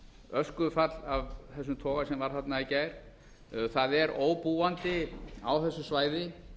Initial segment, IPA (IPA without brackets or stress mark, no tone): œ